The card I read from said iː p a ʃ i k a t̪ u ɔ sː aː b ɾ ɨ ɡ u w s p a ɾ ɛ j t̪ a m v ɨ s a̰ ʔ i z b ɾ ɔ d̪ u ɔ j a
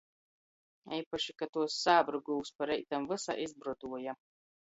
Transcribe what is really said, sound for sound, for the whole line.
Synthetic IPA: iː p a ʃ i k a t̪ u ɔ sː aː b ɾ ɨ ɡ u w s p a ɾ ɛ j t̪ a m v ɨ s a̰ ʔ i z b ɾ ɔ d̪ u ɔ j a

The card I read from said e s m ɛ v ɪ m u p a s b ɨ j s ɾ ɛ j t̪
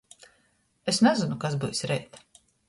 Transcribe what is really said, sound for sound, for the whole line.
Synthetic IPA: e s n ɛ z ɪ n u k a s b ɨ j s ɾ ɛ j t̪

